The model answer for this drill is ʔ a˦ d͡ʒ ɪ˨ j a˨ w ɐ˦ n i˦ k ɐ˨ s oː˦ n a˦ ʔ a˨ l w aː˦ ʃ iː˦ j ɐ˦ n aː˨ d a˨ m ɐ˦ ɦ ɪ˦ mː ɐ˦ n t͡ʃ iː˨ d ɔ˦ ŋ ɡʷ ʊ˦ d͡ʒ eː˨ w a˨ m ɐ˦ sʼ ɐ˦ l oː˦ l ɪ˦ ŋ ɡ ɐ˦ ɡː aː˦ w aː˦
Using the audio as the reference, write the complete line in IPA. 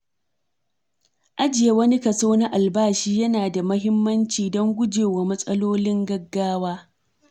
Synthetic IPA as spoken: ʔ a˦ d͡ʒ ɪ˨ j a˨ w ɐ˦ n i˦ k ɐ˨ s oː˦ n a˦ ʔ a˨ l b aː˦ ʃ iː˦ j ɐ˦ n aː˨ d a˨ m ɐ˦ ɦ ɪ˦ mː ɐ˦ n t͡ʃ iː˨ d ɔ˦ ŋ ɡʷ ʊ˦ d͡ʒ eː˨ w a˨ m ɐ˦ sʼ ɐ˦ l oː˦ l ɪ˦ ŋ ɡ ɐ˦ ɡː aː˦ w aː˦